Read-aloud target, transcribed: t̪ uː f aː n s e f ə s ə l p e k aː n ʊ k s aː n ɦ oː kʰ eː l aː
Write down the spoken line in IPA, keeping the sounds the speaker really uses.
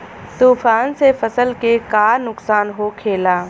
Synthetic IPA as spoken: t̪ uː f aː n s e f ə s ə l k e k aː n ʊ k s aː n ɦ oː kʰ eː l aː